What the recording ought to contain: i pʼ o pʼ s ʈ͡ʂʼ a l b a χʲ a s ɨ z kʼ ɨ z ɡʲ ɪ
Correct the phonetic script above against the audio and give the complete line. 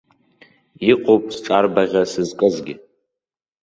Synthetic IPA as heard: i qʼ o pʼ s ʈ͡ʂʼ a r b a ʁʲ a s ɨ z kʼ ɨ z ɡʲ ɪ